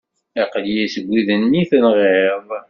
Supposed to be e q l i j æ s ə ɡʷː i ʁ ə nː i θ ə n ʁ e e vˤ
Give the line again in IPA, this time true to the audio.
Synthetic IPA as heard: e q l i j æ s ə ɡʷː i ð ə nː i θ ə n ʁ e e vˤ